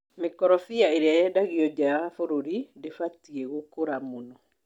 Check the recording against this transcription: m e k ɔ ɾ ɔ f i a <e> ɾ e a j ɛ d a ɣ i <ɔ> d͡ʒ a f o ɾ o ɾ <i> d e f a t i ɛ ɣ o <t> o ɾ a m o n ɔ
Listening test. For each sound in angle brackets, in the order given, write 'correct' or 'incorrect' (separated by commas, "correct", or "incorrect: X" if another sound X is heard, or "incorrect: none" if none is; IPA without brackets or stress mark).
correct, correct, correct, incorrect: k